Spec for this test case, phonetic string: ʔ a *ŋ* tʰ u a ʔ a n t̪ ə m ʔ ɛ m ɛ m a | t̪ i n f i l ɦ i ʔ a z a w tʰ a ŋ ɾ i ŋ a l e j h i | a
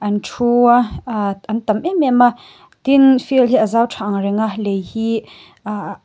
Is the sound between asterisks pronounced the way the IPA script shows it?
no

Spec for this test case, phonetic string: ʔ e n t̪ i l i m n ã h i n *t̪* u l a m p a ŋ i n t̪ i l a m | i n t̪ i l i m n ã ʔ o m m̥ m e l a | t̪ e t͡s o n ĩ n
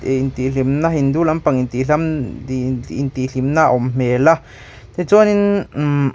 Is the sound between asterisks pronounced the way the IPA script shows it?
no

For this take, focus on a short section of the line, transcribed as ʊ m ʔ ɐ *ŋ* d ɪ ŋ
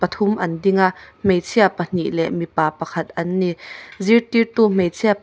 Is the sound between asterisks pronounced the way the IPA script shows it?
no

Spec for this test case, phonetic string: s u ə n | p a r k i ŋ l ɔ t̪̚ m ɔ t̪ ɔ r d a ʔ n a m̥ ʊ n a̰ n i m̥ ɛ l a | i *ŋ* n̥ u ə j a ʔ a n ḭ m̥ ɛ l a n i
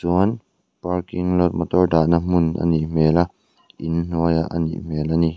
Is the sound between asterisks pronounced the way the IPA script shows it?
no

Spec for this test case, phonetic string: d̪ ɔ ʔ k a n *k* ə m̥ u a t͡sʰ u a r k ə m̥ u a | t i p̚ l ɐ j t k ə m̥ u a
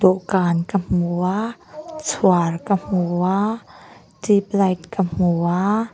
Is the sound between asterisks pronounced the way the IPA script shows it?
yes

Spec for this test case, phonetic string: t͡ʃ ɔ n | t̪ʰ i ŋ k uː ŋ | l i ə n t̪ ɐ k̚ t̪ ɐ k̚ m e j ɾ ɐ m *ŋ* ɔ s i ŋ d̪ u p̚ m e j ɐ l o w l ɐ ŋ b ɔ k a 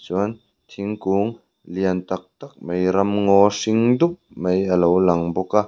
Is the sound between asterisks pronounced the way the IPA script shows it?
yes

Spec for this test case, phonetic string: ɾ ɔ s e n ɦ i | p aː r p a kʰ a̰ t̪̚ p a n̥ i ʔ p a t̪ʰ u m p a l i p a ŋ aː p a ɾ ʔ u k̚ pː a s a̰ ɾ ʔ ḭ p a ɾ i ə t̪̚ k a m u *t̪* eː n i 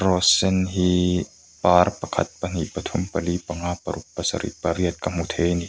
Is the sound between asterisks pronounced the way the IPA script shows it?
no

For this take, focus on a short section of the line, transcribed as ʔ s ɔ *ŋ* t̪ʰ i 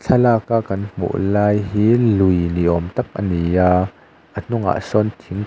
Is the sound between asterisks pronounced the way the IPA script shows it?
no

